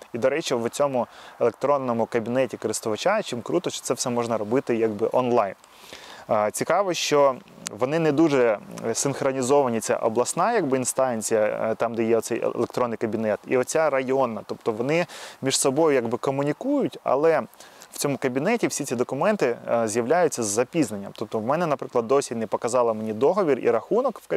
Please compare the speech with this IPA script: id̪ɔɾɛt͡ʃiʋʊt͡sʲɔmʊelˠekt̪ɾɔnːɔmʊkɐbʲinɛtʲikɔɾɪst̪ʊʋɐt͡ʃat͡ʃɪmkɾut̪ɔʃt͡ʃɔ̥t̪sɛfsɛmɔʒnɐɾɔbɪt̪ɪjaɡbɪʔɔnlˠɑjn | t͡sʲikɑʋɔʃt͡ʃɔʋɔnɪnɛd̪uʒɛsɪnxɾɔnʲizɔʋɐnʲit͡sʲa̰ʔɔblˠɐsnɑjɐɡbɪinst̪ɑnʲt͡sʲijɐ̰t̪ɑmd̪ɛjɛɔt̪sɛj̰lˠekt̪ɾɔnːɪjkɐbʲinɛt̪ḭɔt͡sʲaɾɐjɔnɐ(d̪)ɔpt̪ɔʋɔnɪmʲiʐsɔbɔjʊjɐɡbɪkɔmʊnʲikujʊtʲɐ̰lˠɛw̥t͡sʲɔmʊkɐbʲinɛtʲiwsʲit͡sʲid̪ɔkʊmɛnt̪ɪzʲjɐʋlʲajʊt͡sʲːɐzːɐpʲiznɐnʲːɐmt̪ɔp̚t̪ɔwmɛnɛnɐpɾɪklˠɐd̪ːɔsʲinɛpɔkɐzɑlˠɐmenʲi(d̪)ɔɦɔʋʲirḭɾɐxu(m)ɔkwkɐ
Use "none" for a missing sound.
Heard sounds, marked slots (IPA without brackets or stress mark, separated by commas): t̪, d̪, n